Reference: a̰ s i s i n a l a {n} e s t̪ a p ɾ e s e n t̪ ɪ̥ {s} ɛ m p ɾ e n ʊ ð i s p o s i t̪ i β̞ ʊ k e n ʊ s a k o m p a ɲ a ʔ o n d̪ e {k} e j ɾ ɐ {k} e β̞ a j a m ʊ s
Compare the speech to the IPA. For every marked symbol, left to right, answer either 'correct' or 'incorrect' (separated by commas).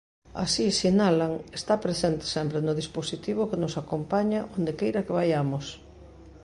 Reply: incorrect, correct, correct, correct